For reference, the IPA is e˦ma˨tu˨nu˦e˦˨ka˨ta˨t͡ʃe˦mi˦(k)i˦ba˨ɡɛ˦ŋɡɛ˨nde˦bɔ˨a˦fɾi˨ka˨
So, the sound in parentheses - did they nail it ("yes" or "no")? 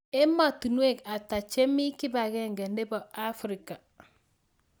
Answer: yes